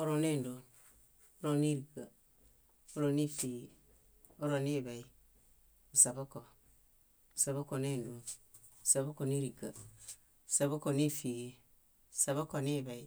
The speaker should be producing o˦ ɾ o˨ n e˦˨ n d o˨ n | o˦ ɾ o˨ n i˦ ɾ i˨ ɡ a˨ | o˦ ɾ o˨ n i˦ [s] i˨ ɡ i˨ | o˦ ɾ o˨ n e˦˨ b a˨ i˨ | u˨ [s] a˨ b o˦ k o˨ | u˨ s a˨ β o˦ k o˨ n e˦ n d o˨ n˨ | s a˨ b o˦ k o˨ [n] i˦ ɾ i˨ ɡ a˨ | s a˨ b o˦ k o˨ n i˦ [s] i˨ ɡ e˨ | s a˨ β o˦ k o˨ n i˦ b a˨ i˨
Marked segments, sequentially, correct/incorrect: incorrect: f, correct, correct, incorrect: f

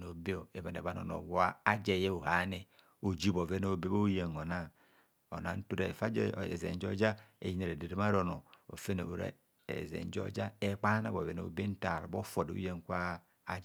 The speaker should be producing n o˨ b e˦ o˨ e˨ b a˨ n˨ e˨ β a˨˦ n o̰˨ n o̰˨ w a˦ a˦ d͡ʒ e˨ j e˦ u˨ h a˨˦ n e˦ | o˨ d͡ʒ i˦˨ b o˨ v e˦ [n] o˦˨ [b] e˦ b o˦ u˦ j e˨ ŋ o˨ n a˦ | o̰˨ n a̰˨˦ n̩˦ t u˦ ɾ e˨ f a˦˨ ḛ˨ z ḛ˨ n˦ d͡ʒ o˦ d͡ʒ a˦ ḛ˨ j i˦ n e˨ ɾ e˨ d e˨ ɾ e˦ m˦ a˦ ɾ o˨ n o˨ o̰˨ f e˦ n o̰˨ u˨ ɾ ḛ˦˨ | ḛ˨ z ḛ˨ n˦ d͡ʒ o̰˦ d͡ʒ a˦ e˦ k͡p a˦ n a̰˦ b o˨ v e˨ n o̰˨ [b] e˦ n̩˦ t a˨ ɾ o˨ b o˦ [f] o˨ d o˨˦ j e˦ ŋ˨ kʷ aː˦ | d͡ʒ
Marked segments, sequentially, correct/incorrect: correct, correct, correct, correct

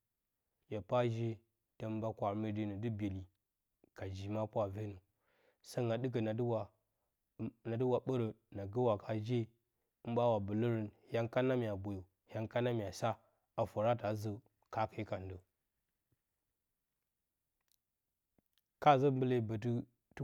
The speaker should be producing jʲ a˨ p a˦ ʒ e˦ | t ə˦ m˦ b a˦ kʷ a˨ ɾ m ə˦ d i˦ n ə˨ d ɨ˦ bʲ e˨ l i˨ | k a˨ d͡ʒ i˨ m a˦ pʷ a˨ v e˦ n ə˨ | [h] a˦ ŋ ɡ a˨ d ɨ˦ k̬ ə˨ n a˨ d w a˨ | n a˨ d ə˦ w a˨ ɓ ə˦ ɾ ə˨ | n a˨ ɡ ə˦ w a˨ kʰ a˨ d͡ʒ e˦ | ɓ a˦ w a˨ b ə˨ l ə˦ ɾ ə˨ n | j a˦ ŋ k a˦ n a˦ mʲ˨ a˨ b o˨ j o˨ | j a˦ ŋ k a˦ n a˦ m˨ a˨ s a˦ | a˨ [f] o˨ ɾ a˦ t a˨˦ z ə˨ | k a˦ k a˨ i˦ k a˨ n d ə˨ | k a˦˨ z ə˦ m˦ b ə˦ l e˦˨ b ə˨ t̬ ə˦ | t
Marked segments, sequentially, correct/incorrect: incorrect: s, correct

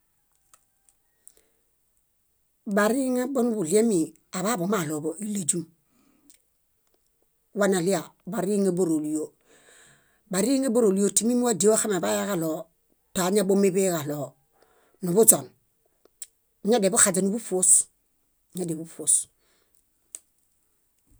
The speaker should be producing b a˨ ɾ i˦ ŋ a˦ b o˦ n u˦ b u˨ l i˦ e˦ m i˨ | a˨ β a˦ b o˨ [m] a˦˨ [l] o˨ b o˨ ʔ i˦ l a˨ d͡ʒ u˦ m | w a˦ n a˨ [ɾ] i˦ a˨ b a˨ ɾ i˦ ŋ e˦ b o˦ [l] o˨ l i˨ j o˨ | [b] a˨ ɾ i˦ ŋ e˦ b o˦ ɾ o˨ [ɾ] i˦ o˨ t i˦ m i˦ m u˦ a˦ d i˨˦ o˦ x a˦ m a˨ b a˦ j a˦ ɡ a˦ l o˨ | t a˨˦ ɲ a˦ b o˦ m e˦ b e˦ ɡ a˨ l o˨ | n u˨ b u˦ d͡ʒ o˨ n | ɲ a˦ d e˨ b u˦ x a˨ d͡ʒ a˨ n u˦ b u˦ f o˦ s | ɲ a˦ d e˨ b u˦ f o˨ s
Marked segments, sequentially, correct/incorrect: correct, correct, incorrect: l, incorrect: ɾ, correct, incorrect: l

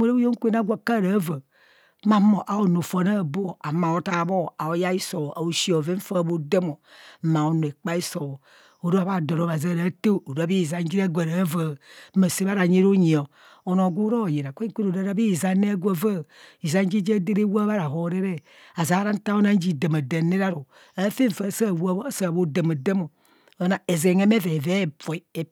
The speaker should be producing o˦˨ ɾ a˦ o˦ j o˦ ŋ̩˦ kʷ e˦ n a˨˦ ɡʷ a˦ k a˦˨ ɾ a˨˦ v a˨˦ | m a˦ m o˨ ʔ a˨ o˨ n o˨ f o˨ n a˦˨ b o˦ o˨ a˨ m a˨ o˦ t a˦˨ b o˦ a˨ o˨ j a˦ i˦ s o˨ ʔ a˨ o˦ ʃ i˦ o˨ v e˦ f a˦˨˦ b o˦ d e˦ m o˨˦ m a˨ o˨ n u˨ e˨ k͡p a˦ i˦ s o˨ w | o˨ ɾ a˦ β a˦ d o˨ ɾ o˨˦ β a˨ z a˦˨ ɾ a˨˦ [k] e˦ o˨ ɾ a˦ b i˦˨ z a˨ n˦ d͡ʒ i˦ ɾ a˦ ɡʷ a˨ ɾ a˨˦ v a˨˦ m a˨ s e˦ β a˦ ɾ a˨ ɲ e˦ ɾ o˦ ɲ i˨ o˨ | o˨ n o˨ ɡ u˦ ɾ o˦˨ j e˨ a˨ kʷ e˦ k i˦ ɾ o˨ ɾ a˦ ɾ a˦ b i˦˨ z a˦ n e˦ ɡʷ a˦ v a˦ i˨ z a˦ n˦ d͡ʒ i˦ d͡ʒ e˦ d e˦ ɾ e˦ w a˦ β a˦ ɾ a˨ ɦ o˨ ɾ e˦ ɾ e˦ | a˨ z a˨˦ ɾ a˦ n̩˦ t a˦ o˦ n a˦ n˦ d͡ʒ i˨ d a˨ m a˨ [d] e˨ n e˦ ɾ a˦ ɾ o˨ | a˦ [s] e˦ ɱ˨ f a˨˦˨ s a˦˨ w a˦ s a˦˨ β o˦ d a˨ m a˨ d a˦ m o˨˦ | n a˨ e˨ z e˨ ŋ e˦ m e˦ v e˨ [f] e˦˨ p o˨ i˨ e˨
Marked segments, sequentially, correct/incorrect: incorrect: t, correct, incorrect: f, incorrect: v

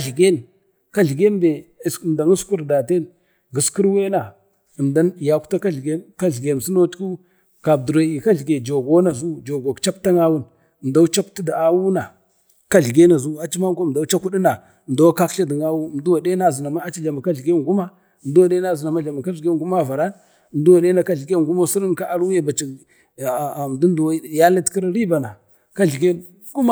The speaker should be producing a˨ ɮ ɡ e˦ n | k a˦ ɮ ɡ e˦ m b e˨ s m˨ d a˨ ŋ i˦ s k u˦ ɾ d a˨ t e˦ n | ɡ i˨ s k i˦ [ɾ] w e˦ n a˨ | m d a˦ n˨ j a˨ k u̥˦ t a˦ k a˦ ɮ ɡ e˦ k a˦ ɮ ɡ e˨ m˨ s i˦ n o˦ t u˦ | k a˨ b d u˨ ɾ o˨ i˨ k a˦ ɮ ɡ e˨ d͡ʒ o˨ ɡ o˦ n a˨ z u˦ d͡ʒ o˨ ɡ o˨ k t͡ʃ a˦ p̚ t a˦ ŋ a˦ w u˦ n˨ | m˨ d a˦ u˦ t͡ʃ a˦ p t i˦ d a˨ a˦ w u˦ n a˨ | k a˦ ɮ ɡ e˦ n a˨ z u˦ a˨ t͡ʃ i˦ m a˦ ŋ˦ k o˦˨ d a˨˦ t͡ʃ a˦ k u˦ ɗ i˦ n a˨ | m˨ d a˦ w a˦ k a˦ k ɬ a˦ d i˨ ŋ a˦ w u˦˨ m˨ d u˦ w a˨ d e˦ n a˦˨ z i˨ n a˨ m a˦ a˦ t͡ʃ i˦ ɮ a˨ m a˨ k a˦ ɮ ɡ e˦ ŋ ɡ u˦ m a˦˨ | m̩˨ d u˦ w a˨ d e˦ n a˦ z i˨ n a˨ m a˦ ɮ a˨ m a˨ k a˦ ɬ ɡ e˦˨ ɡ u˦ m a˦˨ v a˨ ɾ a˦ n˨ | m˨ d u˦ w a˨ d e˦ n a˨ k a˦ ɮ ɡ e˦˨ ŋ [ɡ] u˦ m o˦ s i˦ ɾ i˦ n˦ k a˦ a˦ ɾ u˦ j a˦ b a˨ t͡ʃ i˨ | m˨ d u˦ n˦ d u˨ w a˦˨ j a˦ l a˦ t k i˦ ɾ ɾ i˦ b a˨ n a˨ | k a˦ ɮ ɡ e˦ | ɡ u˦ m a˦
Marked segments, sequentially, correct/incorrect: correct, correct

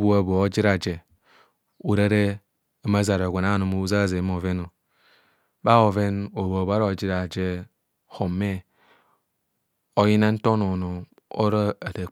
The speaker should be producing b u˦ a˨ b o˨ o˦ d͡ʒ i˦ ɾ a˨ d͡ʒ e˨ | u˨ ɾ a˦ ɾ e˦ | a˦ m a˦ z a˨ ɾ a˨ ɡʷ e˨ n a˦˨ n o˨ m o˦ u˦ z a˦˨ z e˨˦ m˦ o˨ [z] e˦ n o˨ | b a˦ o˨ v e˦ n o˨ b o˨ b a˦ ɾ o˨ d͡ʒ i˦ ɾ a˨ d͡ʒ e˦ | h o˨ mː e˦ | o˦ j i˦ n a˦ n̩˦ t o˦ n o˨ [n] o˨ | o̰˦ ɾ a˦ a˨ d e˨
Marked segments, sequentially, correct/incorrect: incorrect: v, correct

